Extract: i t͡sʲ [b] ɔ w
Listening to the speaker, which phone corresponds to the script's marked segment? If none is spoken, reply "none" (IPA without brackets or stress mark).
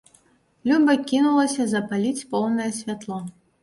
p